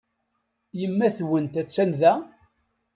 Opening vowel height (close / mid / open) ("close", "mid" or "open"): mid